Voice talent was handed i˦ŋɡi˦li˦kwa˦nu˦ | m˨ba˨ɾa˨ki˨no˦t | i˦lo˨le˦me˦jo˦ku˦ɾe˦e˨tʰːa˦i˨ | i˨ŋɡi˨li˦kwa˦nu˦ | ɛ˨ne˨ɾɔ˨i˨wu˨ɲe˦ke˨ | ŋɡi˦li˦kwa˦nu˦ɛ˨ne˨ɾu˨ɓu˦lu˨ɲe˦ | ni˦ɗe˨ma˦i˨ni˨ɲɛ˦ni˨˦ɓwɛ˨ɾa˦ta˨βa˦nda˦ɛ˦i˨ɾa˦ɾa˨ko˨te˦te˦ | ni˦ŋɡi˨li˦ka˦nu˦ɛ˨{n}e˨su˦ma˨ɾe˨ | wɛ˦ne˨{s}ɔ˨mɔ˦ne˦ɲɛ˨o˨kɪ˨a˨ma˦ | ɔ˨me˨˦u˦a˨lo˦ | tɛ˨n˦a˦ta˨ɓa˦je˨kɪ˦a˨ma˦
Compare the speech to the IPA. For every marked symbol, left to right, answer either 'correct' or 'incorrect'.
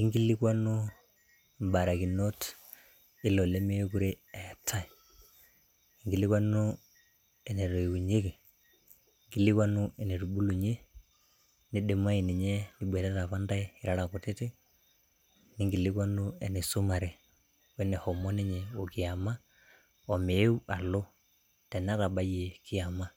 correct, incorrect

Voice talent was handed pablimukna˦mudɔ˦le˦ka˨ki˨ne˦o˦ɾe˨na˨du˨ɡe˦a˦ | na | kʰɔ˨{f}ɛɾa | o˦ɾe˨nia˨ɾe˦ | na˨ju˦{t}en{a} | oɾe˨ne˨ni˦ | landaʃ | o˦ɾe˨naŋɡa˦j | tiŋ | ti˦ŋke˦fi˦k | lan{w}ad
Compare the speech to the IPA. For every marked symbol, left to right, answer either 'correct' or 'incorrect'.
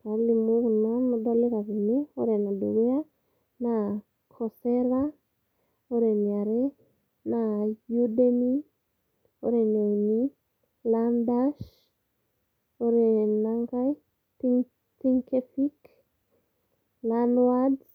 incorrect, incorrect, incorrect, correct

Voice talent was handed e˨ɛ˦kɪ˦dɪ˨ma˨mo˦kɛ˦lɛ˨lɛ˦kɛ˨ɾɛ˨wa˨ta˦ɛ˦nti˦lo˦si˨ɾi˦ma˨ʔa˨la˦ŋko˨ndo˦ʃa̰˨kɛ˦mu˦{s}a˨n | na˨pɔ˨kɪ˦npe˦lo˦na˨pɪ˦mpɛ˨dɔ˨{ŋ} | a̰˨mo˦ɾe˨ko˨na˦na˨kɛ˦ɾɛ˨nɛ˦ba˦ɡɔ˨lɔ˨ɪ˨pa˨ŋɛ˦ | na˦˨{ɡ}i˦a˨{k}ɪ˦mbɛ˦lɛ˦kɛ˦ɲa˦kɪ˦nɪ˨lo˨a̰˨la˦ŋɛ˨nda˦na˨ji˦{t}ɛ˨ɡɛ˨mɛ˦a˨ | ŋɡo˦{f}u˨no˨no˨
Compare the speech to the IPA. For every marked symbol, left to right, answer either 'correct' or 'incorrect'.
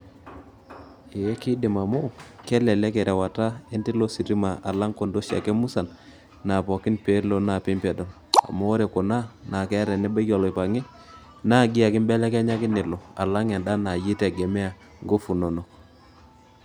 correct, incorrect, correct, correct, correct, correct

